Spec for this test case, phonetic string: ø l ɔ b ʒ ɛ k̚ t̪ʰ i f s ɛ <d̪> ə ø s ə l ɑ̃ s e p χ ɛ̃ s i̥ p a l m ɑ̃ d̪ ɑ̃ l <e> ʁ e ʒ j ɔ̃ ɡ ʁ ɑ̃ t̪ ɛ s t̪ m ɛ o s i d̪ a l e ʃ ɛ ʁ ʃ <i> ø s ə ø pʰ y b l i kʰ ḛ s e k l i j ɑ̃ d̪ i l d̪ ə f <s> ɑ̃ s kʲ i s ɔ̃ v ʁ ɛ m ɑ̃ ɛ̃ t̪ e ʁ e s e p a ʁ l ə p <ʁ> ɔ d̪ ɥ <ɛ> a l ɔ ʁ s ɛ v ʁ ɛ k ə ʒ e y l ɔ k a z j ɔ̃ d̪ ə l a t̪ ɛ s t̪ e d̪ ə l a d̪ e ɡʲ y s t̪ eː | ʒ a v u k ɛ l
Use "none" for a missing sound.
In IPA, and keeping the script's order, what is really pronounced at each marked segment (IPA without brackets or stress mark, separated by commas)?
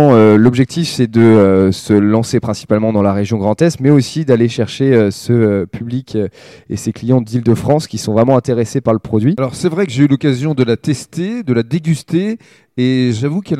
d̪, a, e, χ, χ, i